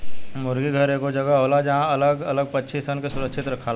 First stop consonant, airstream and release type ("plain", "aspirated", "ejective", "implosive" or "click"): plain